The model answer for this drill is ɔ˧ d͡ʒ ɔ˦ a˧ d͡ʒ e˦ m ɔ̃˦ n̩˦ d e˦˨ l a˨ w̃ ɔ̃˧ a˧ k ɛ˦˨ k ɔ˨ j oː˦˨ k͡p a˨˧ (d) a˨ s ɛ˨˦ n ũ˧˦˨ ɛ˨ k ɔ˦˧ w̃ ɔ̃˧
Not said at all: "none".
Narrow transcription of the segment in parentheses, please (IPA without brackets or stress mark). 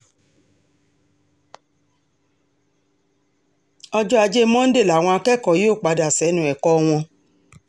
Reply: d